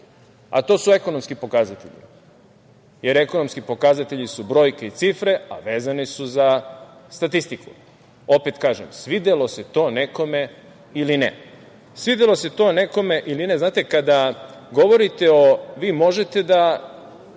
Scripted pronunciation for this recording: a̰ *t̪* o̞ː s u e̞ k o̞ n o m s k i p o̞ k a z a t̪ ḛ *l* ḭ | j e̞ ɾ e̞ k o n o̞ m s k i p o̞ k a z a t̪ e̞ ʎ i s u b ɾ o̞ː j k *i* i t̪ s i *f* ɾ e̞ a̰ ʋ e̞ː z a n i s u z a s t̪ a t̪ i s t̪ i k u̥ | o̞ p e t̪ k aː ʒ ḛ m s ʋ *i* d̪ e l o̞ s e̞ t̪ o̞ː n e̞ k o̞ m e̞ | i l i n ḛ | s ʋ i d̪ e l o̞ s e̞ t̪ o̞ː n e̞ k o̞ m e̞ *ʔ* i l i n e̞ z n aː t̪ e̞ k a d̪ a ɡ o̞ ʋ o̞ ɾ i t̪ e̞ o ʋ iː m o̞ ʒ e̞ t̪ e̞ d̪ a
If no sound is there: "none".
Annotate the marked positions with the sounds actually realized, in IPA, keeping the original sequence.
t̪, ʎ, e, f, i, ʔ

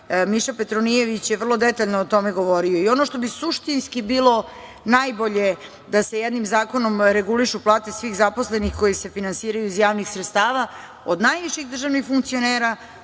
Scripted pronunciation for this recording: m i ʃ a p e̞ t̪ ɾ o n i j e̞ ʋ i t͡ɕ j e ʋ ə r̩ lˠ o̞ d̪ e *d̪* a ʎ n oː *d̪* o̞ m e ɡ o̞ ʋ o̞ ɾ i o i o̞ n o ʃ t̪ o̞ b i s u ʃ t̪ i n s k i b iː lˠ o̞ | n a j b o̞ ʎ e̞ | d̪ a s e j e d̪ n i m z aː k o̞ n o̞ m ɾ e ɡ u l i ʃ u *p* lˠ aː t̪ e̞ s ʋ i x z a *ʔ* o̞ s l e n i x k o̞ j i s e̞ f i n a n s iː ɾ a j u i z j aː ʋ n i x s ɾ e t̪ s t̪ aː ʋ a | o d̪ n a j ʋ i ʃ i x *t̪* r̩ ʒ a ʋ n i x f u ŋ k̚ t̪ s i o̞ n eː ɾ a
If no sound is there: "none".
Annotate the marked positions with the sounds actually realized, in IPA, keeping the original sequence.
t̪, t̪, p, p, d̪

